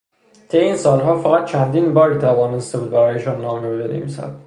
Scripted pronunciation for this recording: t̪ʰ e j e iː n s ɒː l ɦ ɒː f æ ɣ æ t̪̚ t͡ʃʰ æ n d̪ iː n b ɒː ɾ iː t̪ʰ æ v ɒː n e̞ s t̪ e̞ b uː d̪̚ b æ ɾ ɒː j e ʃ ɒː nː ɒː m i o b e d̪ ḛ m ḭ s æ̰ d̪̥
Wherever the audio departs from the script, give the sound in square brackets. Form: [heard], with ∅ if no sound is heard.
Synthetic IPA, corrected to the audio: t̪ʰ e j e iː n s ɒː l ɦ ɒː f æ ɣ æ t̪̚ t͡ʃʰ æ n d̪ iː n b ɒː ɾ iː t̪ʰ æ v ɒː n e̞ s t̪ e̞ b uː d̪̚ b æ ɾ ɒː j e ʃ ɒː nː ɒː m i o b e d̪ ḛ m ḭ s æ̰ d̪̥